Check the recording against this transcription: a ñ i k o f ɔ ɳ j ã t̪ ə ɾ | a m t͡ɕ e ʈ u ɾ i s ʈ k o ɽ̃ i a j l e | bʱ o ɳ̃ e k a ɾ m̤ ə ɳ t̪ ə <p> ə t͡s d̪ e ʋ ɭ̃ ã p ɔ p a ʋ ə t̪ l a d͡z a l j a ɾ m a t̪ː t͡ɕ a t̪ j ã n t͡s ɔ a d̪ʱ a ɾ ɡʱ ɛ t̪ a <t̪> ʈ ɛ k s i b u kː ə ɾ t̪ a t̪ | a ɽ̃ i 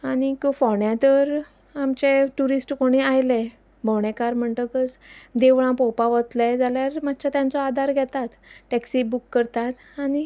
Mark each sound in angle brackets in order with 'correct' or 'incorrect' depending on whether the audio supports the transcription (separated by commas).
incorrect, correct